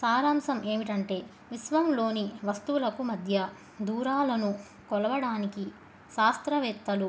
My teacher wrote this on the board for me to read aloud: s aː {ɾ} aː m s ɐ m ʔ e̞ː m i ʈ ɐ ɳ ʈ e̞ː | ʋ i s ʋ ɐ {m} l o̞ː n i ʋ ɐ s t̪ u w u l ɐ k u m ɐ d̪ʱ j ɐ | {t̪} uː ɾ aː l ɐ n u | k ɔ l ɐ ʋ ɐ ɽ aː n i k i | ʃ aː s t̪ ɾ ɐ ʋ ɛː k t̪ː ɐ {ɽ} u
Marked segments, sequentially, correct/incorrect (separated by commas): correct, correct, incorrect, incorrect